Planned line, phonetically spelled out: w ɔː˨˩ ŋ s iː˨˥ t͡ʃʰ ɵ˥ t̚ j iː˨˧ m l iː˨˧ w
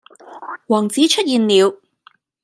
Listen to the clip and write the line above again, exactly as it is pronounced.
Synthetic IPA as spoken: w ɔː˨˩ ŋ t͡s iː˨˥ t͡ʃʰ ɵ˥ t̚ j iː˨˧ n l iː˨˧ w